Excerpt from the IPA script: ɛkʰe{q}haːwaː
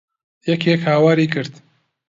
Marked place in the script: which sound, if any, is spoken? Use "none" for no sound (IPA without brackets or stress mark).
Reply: k